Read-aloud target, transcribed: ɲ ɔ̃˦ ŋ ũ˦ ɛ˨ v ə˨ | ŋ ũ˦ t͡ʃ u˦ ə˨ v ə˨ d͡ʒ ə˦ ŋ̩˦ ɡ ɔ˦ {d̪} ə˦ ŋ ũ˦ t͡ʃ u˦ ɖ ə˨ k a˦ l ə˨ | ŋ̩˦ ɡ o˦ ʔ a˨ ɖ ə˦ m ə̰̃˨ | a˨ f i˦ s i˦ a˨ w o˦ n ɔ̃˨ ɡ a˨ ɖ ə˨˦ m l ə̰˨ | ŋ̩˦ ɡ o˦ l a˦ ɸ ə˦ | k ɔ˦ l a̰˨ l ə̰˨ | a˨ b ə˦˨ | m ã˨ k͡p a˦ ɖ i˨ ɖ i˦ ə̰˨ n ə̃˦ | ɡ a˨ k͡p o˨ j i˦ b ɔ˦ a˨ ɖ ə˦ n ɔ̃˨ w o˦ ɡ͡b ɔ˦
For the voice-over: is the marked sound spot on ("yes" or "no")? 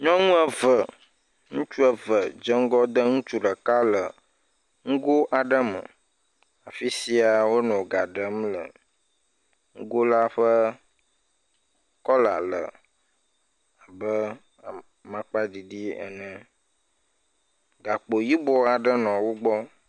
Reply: yes